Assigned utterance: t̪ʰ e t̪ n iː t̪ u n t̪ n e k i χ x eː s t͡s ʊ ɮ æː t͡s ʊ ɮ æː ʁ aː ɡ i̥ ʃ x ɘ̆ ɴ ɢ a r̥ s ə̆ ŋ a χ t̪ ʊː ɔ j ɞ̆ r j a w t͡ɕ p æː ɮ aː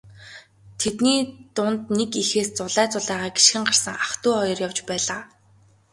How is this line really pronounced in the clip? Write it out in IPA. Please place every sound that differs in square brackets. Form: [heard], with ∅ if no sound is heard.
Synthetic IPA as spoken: t̪ʰ e t̪ n iː t̪ [ʊ] n t̪ n e k i [∅] x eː s t͡s ʊ ɮ æː t͡s ʊ ɮ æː ʁ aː ɡ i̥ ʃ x ɘ̆ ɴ ɢ a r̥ s ə̆ ŋ a χ t̪ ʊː ɔ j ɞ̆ r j a w t͡ɕ p æː ɮ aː